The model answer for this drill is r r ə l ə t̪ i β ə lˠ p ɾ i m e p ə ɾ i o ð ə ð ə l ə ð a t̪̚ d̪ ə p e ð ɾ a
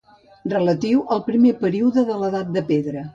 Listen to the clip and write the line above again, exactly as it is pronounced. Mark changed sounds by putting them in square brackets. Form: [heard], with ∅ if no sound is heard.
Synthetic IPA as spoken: r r ə l ə t̪ i [w] ə lˠ p ɾ i m e p ə ɾ i [u] ð ə ð ə l ə ð a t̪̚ d̪ ə p e ð ɾ [ə]